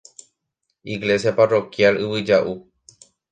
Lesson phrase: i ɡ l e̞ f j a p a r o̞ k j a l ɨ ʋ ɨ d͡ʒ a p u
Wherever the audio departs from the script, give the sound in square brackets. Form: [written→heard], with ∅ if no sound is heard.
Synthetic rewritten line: i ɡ l e̞ [f→s] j a p a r o̞ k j a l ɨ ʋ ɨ d͡ʒ a [p→ʔ] u